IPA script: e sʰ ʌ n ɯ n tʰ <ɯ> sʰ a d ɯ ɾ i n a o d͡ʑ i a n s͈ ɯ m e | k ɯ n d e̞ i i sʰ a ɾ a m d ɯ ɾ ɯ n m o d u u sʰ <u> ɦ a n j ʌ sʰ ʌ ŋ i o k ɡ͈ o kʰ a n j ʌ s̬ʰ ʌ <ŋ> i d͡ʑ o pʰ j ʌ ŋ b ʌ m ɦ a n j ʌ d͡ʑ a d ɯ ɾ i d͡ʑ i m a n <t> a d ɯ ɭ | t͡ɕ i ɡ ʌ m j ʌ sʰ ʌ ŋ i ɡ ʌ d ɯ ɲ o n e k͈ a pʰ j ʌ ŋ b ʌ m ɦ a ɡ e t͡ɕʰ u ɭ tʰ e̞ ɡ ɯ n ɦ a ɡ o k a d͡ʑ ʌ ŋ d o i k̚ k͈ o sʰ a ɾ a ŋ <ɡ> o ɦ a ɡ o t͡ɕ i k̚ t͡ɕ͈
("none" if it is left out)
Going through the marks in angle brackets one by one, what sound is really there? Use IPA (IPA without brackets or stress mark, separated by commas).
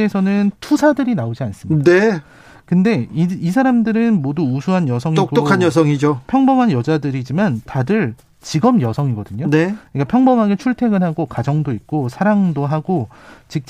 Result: u, u, ŋ, t, d